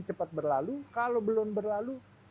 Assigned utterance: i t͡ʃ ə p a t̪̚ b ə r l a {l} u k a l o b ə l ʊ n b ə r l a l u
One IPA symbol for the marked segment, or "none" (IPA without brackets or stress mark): l